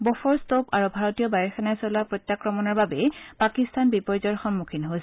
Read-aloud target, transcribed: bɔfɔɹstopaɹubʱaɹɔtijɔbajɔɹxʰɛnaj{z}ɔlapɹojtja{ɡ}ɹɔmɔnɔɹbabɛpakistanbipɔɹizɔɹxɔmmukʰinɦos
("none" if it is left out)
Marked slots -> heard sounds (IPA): s, k

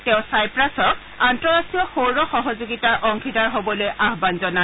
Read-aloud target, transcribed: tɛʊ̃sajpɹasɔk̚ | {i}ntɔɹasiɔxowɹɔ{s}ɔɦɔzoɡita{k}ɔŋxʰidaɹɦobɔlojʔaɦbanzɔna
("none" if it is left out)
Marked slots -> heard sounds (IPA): a, x, ʔ

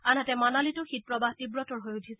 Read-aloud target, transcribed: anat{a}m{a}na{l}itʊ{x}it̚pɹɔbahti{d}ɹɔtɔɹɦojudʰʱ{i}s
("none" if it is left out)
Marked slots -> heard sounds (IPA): ɛ, a, l, x, b, i

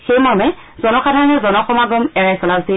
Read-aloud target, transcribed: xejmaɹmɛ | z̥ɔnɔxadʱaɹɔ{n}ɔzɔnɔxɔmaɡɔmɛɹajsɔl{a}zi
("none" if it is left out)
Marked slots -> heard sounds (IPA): n, a

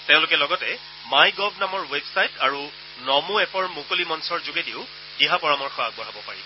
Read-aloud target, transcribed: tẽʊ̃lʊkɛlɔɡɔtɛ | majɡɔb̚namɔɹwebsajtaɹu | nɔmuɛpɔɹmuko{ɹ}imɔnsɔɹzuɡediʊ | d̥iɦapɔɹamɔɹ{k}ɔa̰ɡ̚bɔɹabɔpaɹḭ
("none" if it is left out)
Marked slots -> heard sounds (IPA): l, x

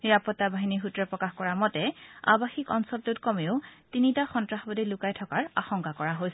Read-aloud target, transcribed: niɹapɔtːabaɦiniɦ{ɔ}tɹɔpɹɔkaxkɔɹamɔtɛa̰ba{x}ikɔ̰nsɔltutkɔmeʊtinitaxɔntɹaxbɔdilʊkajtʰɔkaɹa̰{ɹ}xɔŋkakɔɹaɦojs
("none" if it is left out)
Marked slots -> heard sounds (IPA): u, x, none

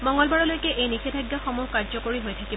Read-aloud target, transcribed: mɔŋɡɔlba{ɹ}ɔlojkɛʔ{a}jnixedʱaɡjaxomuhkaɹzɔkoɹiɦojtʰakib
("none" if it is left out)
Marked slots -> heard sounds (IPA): ɹ, e

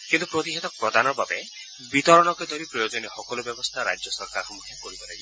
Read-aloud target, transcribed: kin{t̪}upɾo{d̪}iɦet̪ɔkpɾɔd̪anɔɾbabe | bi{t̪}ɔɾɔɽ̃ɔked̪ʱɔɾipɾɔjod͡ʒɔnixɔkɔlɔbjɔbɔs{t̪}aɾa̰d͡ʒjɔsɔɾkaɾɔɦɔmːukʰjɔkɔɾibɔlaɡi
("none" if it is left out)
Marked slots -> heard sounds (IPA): t̪, t̪, t̪, t̪ʰ

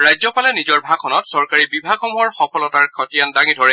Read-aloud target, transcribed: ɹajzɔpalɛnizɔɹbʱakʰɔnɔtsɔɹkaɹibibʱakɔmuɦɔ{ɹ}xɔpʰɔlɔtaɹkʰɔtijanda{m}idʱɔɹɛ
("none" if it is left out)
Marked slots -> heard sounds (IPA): ɹ, ŋ

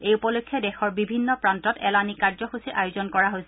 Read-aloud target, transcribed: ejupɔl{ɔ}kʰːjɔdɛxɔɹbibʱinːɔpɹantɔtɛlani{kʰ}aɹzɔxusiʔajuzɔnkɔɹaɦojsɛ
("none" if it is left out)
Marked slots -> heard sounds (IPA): o, k

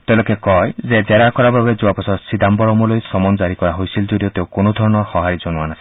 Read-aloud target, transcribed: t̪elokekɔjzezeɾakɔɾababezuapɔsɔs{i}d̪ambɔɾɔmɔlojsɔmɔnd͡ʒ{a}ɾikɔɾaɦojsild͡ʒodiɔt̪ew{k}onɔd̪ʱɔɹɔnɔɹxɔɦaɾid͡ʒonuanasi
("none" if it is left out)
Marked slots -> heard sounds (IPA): i, a, k

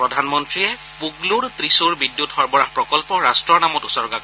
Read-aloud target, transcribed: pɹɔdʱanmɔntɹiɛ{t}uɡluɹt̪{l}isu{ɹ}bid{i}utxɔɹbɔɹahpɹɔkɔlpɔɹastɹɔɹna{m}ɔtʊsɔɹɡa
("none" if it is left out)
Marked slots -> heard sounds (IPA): p, ɹ, ɹ, j, m

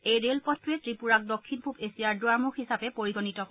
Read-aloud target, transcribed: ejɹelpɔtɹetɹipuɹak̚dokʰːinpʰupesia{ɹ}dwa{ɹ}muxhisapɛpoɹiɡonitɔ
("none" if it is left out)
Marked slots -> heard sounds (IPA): ɹ, ɹ

